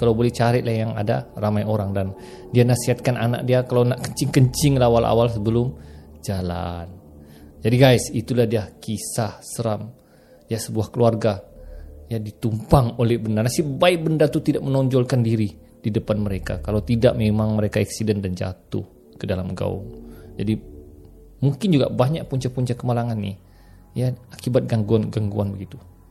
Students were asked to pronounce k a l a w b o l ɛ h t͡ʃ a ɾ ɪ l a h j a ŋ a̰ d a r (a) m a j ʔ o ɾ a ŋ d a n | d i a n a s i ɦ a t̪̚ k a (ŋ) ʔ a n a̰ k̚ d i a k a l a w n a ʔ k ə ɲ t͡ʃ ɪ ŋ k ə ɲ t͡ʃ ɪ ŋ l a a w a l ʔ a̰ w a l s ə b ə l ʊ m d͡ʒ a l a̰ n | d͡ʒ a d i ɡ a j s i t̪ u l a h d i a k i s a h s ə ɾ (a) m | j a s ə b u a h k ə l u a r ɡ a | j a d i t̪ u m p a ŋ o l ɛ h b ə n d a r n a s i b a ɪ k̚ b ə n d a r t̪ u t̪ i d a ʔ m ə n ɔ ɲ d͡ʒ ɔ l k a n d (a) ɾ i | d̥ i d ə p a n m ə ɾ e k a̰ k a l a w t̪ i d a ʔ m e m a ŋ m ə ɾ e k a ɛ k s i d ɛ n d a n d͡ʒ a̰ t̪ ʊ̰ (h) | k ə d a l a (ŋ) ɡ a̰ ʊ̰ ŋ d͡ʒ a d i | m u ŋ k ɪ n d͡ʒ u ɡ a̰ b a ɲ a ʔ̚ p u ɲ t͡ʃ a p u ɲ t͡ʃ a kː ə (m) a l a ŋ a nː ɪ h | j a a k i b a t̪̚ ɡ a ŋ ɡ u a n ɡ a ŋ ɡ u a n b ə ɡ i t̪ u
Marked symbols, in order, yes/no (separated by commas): yes, no, yes, no, yes, no, yes